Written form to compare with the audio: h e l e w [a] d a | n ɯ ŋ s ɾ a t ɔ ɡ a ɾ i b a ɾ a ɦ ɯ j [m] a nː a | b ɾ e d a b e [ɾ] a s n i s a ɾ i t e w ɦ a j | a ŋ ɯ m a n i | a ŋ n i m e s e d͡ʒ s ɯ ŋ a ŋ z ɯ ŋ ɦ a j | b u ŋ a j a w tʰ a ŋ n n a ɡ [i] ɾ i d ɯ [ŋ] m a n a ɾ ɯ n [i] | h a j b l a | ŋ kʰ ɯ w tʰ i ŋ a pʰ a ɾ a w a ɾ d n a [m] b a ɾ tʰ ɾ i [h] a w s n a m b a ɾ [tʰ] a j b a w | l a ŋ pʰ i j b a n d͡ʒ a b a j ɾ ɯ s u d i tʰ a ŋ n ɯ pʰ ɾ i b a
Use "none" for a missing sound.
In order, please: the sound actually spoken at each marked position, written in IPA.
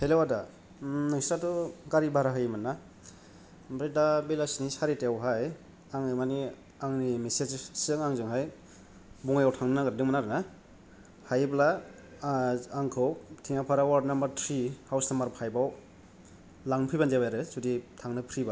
a, m, l, a, ŋ, a, m, h, pʰ

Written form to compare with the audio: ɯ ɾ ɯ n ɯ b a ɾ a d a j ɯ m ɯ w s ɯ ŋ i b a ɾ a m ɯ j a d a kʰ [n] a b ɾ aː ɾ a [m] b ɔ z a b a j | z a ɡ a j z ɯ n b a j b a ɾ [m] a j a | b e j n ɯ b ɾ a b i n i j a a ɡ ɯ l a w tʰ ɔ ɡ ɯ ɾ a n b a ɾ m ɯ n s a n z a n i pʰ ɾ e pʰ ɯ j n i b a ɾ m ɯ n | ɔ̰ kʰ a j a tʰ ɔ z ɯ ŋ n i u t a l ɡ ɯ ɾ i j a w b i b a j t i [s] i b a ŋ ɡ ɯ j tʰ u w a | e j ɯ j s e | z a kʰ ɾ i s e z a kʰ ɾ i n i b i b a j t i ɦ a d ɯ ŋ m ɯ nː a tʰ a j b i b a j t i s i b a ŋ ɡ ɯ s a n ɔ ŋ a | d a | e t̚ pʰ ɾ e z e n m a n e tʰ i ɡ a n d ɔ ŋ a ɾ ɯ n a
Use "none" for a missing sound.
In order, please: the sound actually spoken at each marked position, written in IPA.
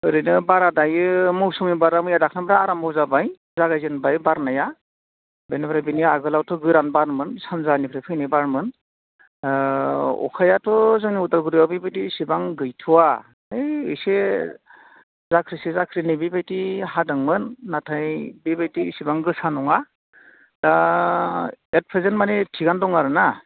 n, m, n, s

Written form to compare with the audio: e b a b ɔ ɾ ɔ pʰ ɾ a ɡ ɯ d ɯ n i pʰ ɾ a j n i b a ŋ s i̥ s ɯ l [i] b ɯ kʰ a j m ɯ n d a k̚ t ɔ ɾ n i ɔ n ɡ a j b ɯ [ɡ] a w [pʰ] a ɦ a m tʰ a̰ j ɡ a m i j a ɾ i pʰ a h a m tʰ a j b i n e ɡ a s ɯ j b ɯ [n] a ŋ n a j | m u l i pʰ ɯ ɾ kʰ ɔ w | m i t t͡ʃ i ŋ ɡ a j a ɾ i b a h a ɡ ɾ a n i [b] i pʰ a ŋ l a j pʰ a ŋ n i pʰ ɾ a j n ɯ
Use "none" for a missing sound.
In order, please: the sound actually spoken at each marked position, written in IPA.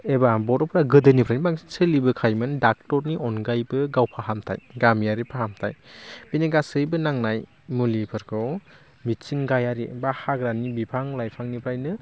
i, ɡ, pʰ, n, b

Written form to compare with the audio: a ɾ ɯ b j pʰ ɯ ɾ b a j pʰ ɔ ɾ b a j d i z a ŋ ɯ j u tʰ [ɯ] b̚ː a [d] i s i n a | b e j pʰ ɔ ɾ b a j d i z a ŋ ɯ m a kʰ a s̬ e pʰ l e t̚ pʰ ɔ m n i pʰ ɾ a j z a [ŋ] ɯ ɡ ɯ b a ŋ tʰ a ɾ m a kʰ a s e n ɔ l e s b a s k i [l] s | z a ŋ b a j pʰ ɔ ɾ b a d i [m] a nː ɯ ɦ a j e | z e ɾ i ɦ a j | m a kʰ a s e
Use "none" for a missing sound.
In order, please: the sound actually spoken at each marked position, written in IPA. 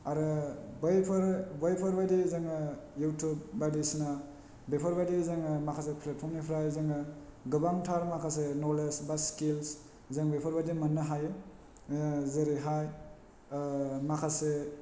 u, d, ŋ, l, m

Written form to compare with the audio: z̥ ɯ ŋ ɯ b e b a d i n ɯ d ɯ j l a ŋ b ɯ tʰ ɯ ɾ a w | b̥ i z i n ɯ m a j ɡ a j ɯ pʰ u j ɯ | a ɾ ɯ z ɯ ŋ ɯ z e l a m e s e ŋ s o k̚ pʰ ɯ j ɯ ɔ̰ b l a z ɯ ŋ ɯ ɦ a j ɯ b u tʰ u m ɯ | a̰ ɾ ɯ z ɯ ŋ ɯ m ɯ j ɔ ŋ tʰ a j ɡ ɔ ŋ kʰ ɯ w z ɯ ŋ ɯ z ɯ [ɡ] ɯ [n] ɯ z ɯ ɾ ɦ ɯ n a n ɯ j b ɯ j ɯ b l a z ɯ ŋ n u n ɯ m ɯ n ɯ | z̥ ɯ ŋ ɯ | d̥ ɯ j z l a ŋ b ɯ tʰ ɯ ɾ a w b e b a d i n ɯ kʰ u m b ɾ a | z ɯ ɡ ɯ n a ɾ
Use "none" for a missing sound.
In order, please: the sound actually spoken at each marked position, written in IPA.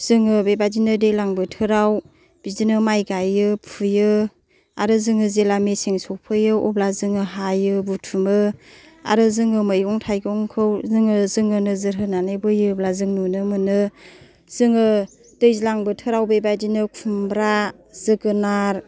ŋ, n

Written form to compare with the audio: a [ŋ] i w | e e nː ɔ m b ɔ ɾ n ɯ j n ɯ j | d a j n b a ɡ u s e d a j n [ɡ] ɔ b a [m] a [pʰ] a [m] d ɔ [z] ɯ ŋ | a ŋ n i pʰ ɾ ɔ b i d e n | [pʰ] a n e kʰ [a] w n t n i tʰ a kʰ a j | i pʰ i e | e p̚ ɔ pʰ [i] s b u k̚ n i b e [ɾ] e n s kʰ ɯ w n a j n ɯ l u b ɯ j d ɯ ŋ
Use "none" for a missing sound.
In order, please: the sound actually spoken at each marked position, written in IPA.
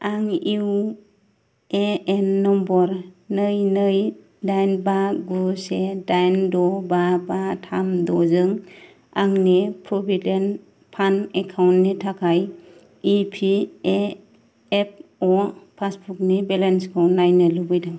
ŋ, d, b, tʰ, m, z, pʰ, a, a, l

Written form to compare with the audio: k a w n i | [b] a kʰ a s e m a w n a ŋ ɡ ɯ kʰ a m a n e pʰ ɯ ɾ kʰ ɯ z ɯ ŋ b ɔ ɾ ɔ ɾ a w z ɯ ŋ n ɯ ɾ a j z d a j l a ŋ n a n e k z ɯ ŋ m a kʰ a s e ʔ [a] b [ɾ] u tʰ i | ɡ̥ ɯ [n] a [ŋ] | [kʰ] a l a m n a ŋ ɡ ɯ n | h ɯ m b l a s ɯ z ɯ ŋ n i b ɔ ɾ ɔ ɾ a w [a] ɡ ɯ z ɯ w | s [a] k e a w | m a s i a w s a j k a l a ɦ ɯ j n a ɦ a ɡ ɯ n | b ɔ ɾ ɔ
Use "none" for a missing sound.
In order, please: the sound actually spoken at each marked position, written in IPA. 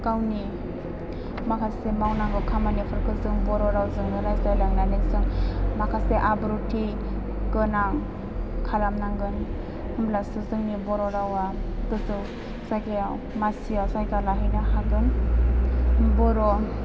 m, a, ɾ, n, ŋ, kʰ, a, a

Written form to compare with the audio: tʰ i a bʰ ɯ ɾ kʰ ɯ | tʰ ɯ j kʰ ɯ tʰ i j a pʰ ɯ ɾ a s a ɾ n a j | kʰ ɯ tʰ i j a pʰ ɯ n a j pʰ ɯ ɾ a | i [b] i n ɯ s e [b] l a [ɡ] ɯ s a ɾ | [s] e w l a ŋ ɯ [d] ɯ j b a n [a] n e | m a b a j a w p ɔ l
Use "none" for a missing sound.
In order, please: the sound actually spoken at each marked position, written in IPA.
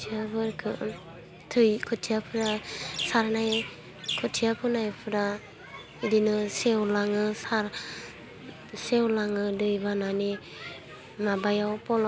d, w, ŋ, s, d, a

